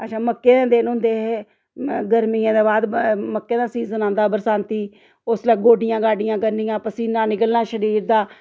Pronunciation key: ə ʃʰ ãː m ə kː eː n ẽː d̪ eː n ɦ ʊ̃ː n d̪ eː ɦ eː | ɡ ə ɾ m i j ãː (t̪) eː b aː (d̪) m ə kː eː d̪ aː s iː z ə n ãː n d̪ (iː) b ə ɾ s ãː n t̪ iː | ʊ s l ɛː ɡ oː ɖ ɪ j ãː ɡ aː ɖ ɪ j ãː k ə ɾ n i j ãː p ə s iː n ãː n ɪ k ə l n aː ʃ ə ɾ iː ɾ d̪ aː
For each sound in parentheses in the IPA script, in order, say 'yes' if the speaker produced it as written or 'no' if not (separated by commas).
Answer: no, yes, no